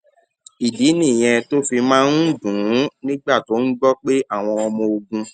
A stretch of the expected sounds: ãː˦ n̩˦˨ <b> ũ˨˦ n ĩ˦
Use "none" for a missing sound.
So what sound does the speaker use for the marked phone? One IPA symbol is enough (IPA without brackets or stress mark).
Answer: d